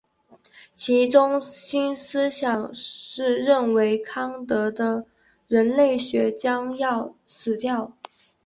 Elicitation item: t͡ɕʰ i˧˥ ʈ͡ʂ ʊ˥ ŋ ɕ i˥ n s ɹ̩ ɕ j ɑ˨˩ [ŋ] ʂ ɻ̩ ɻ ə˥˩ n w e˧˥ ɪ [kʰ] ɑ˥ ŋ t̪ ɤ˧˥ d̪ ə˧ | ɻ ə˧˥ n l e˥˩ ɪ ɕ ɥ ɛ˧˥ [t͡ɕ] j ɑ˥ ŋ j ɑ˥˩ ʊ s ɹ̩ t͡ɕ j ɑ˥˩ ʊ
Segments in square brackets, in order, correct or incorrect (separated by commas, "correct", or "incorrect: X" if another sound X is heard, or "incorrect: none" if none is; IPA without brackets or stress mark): correct, correct, correct